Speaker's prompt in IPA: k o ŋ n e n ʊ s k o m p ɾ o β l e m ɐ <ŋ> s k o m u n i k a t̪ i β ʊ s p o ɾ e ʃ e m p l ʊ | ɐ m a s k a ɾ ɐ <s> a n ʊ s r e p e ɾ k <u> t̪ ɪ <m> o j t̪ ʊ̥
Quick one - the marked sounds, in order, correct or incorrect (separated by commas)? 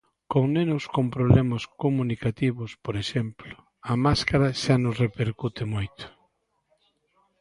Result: incorrect, incorrect, correct, correct